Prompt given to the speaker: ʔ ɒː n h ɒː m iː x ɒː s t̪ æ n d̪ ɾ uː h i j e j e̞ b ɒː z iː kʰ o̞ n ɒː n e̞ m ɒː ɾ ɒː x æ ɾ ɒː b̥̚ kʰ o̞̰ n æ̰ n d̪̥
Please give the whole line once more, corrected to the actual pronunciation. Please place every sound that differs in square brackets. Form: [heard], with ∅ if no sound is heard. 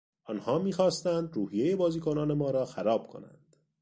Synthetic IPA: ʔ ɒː n h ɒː m iː x ɒː s t̪ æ n d̪ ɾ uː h i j e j e̞ b ɒː z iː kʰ o̞ n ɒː n e̞ m ɒː ɾ ɒː x æ ɾ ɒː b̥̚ kʰ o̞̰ n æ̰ n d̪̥